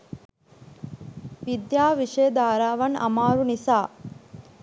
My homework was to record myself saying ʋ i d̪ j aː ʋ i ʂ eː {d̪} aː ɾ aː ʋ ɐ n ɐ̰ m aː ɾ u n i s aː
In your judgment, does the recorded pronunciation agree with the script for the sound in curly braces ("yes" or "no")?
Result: yes